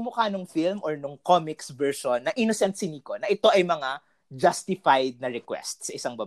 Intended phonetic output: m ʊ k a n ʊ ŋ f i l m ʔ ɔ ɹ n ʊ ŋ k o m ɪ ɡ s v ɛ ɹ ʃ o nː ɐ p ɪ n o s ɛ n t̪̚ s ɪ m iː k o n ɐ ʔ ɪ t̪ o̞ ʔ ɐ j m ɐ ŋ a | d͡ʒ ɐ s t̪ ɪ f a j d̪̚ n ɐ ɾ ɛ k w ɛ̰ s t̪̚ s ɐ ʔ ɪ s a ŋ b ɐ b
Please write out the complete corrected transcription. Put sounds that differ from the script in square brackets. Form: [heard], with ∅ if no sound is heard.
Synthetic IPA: m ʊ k a n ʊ ŋ f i l m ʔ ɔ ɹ n ʊ ŋ k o m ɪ [k] s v ɛ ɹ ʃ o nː ɐ [ʔ] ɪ n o s ɛ n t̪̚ s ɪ [n] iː k o n ɐ ʔ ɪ t̪ o̞ ʔ ɐ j m ɐ ŋ a | d͡ʒ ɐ s t̪ ɪ f a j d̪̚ n ɐ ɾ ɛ k w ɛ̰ s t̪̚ s ɐ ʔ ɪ s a ŋ b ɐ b